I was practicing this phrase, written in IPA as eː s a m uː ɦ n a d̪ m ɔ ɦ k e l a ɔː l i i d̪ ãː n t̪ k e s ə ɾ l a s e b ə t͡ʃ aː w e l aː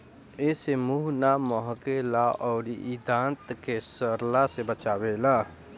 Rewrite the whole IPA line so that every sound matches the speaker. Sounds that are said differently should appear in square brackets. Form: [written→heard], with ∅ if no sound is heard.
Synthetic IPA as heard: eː s [a→e] m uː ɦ n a [d̪→∅] m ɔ ɦ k e l a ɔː [l→ɾ] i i d̪ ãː n t̪ k e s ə ɾ l a s e b ə t͡ʃ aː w e l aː